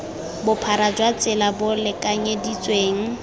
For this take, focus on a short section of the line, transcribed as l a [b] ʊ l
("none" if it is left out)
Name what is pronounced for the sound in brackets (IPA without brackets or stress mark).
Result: b